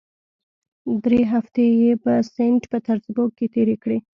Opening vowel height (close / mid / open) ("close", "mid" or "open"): mid